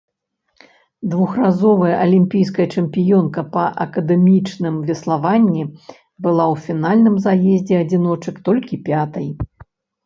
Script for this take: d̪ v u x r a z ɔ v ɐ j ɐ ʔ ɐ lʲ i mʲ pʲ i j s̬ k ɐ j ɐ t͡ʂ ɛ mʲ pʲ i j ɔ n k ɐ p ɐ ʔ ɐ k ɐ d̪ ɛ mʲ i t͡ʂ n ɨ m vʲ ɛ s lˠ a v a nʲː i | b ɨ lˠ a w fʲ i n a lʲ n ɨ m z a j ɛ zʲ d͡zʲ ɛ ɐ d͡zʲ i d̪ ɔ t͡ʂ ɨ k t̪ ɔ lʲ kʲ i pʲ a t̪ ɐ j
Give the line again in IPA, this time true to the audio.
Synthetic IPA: d̪ v u x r a z ɔ v ɐ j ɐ ʔ ɐ lʲ i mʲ pʲ i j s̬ k ɐ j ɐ t͡ʂ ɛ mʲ pʲ i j ɔ n k ɐ p ɐ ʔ ɐ k ɐ d̪ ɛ mʲ i t͡ʂ n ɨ m vʲ ɛ s lˠ a v a nʲː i | b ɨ lˠ a w fʲ i n a lʲ n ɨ m z a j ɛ zʲ d͡zʲ ɛ ɐ d͡zʲ i n̪ ɔ t͡ʂ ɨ k t̪ ɔ lʲ kʲ i pʲ a t̪ ɐ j